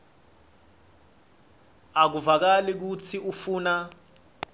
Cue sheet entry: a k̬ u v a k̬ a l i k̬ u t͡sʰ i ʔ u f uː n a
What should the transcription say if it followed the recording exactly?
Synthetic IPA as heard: a k̬ u v a k̬ a l i k̬ u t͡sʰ i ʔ u f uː n a